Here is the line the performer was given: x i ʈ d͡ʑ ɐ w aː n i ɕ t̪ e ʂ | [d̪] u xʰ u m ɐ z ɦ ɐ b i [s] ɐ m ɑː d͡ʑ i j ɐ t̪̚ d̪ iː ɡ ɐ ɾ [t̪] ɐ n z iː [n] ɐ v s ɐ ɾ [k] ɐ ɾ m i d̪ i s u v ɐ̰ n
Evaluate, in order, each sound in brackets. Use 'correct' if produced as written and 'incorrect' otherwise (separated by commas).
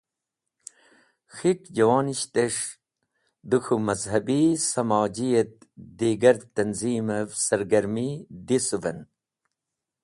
correct, correct, correct, incorrect, incorrect